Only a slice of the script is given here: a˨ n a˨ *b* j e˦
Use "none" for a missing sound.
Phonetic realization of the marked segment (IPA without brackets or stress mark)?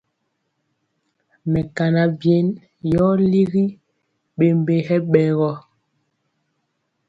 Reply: b